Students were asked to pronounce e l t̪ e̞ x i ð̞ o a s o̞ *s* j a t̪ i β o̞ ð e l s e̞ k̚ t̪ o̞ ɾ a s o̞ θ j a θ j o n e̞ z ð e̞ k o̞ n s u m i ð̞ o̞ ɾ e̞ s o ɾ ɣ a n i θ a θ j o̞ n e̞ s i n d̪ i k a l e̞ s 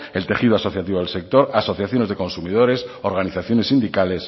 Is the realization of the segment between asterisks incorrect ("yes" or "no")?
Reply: yes